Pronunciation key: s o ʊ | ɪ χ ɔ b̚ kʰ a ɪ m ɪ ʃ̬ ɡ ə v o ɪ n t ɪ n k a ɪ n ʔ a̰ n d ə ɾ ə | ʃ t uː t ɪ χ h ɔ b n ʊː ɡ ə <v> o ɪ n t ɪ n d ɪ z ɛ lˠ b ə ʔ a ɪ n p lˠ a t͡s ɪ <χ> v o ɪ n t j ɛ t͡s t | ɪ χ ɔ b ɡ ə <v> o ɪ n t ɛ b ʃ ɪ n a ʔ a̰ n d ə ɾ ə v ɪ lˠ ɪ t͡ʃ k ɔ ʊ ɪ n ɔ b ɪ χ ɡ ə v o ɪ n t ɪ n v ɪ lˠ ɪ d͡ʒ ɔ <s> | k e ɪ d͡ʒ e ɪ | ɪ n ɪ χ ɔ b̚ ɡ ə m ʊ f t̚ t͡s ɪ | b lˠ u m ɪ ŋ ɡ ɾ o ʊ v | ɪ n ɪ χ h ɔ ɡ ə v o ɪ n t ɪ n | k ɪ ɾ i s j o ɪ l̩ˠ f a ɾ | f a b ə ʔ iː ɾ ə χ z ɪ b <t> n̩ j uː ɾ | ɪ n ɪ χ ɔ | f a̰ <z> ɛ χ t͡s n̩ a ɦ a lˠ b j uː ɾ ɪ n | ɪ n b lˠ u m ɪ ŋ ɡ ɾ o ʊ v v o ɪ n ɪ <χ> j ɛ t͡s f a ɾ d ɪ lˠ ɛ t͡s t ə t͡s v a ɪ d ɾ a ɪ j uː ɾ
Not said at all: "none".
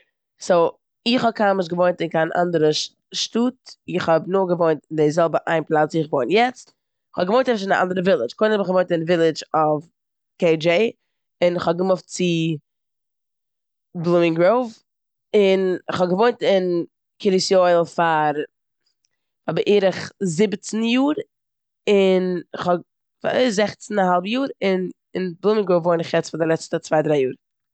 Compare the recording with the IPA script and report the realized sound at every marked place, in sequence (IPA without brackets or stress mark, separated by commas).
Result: v, χ, v, f, t͡s, z, χ